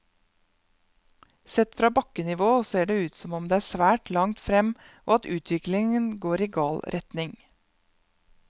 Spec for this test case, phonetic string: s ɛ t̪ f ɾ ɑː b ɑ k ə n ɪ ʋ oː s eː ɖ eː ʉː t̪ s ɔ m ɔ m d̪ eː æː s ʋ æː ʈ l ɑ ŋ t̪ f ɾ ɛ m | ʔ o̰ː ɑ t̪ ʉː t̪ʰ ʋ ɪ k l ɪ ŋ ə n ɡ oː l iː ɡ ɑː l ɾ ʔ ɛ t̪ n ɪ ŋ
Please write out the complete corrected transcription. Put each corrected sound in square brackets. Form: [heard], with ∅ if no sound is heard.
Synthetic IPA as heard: s ɛ t̪ f ɾ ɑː b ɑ k ə n ɪ ʋ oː s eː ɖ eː ʉː t̪ s ɔ m ɔ m d̪ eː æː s ʋ æː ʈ l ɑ ŋ t̪ f ɾ ɛ m | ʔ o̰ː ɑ t̪ ʉː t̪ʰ ʋ ɪ k l ɪ ŋ ə n ɡ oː [ɾ] iː ɡ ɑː l ɾ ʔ ɛ t̪ n ɪ ŋ